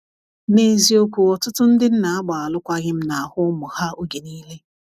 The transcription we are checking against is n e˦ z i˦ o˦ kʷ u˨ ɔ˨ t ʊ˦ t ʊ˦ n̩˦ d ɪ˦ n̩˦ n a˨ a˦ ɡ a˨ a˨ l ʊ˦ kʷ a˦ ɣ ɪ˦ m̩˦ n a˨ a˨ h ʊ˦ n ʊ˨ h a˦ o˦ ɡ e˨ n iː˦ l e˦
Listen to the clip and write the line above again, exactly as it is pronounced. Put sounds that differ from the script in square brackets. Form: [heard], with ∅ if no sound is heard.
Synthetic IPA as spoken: n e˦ z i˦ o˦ kʷ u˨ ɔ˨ t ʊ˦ t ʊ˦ n̩˦ d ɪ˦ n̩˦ n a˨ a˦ [ɡ͡b] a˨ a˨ l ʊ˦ kʷ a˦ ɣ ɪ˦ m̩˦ n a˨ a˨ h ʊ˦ [m] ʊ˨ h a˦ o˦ ɡ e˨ n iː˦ l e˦